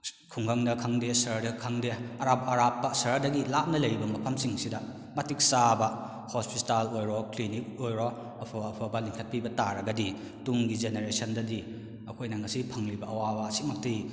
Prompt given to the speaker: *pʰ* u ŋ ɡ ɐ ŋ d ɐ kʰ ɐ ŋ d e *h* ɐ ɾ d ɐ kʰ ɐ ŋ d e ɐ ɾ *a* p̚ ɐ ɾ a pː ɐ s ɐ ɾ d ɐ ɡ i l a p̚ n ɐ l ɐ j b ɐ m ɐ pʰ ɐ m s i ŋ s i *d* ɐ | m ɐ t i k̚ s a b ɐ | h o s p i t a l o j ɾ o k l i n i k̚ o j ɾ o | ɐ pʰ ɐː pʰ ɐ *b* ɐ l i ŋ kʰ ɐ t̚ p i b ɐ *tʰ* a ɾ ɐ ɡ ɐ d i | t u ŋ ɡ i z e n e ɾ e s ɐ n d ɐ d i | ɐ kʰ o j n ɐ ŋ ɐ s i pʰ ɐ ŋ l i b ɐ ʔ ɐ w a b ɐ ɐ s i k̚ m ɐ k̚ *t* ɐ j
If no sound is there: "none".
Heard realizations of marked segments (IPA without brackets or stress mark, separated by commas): kʰ, s, a, d, b, t, t